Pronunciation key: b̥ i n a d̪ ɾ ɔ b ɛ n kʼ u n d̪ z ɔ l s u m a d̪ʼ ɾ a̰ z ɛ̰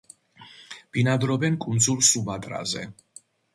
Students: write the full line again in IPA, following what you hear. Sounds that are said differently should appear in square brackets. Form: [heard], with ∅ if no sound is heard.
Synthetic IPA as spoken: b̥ i n a d̪ ɾ ɔ b ɛ n kʼ u n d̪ z [u] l s u [b] a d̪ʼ ɾ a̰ z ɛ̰

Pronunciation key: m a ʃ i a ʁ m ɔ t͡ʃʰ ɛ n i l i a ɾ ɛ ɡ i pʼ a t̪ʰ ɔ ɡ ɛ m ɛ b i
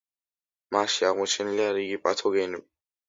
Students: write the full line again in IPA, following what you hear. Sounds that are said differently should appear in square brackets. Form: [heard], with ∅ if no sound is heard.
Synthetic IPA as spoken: m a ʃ i a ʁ m ɔ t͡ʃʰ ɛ n i l i a ɾ [i] ɡ i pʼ a t̪ʰ ɔ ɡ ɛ [n] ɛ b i

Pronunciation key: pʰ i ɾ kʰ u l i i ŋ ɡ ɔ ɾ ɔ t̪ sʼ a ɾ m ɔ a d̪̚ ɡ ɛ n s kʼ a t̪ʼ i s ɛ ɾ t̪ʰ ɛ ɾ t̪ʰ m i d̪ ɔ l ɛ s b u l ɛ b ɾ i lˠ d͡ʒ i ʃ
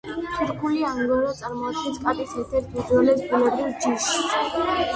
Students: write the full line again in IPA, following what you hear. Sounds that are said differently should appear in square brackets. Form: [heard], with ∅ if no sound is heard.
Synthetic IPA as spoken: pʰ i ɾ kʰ u l i [a] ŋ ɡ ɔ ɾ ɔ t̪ sʼ a ɾ m ɔ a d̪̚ ɡ ɛ n s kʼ a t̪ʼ i s ɛ ɾ t̪ʰ ɛ ɾ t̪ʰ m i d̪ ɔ l ɛ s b u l ɛ b ɾ i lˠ d͡ʒ i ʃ

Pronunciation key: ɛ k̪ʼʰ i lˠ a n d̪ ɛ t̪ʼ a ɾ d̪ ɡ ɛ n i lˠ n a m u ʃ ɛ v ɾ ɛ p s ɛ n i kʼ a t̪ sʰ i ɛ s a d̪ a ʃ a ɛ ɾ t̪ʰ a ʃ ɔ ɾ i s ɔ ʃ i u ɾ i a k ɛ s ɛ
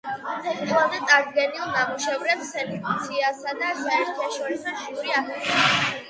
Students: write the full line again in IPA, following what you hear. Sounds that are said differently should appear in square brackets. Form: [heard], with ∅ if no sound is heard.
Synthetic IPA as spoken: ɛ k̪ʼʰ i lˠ a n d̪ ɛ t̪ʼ a ɾ d̪ ɡ ɛ n i lˠ n a m u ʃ ɛ v ɾ ɛ p s ɛ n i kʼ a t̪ sʰ i [a] s a d̪ a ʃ a ɛ ɾ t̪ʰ a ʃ ɔ ɾ i s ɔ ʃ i u ɾ i a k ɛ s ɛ

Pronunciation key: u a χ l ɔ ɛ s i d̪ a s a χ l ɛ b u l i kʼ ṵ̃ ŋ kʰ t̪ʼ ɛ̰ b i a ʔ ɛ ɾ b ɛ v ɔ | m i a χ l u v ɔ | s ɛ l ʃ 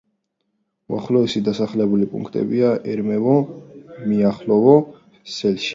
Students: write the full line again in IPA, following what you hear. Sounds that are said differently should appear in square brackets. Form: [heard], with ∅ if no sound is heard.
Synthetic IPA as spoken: u a χ l ɔ ɛ s i d̪ a s a χ l ɛ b u l i [pʼ] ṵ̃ ŋ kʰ t̪ʼ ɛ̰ b i a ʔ ɛ ɾ [m] ɛ v ɔ | m i a χ l [ɔ] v ɔ | s ɛ l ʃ

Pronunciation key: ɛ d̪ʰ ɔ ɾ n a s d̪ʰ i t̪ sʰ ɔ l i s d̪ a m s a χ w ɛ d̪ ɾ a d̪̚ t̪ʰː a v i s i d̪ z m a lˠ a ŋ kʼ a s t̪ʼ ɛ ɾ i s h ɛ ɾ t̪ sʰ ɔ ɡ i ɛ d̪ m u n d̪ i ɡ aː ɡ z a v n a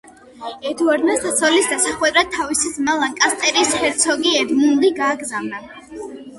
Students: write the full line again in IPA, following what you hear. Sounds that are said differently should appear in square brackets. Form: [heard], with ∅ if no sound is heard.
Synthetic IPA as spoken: ɛ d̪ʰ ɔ ɾ n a s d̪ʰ [a] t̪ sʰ ɔ l i s d̪ a [∅] s a χ w ɛ d̪ ɾ a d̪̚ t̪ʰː a v i s i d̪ z m a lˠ a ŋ kʼ a s t̪ʼ ɛ ɾ i s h ɛ ɾ t̪ sʰ ɔ ɡ i ɛ d̪ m u n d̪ i ɡ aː ɡ z a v n a

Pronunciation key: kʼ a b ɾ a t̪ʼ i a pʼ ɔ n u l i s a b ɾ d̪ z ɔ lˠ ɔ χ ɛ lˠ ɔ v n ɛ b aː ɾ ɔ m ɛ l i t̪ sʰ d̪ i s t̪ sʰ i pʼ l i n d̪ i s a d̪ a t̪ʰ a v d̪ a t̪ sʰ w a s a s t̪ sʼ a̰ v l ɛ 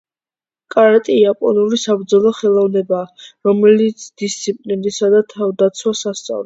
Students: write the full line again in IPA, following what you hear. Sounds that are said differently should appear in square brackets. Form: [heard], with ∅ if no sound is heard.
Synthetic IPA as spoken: kʼ a [∅] ɾ a t̪ʼ i a pʼ ɔ n u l i s a b ɾ d̪ z ɔ lˠ ɔ χ ɛ lˠ ɔ v n ɛ b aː ɾ ɔ m ɛ l i t̪ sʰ d̪ i s t̪ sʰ i pʼ l i n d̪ i s a d̪ a t̪ʰ a v d̪ a t̪ sʰ w a s a s t̪ sʼ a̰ v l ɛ

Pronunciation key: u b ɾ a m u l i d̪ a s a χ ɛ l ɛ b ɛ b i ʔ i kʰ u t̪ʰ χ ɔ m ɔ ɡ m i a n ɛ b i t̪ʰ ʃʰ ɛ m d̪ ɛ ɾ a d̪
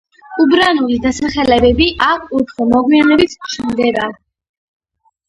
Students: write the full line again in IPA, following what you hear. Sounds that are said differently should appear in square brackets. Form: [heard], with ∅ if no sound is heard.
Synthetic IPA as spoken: u b ɾ a [n] u l i d̪ a s a χ ɛ l ɛ b ɛ b i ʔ [a] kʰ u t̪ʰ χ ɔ m ɔ ɡ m i a n ɛ b i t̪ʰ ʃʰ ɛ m d̪ ɛ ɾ a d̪

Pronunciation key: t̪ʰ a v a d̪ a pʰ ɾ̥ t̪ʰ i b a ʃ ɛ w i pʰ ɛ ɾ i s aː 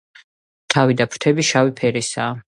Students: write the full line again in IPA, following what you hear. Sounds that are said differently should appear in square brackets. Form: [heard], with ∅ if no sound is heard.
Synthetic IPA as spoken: t̪ʰ a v [i] d̪ a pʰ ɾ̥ t̪ʰ [ɛ] b [i] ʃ [a] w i pʰ ɛ ɾ i s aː

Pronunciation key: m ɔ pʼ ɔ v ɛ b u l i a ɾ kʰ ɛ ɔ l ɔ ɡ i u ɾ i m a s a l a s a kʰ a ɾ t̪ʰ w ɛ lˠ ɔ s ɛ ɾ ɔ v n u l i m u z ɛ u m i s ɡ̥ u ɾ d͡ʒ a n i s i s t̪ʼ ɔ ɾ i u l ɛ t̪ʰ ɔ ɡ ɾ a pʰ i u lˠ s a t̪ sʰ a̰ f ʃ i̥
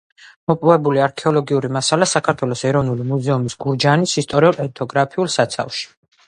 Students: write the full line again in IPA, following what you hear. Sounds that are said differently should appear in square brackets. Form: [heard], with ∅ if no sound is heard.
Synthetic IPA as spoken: m ɔ pʼ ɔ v ɛ b u l i a ɾ kʰ ɛ ɔ l ɔ ɡ i u ɾ i m a s a l a s a kʰ a ɾ t̪ʰ w ɛ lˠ ɔ s ɛ ɾ ɔ v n u l i m u z ɛ u m i s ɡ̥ u ɾ d͡ʒ a n i s i s t̪ʼ ɔ ɾ i u l ɛ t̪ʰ ɔ ɡ ɾ a pʰ i u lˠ s a t̪ sʰ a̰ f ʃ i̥

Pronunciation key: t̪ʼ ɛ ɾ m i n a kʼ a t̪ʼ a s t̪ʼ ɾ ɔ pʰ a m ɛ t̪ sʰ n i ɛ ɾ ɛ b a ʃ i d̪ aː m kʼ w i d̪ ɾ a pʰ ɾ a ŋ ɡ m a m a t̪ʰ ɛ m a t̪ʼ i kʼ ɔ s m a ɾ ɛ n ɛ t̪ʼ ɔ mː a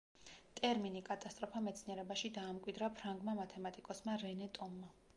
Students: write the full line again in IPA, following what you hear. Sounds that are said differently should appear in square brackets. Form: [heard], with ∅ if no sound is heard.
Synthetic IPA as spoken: t̪ʼ ɛ ɾ m i n [i] kʼ a t̪ʼ a s t̪ʼ ɾ ɔ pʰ a m ɛ t̪ sʰ n i ɛ ɾ ɛ b a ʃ i d̪ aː m kʼ w i d̪ ɾ a pʰ ɾ a ŋ ɡ m a m a t̪ʰ ɛ m a t̪ʼ i kʼ ɔ s m a ɾ ɛ n ɛ t̪ʼ ɔ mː a

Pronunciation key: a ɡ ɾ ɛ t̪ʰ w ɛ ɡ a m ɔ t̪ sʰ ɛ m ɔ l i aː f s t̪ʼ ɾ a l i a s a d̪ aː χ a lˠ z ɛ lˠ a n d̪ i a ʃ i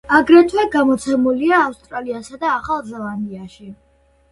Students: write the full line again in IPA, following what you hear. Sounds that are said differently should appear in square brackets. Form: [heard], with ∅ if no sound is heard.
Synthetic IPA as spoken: a ɡ ɾ ɛ t̪ʰ w ɛ ɡ a m ɔ t̪ sʰ ɛ m [u] l i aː f s t̪ʼ ɾ a l i a s a d̪ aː χ a lˠ z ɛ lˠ a n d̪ i a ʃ i

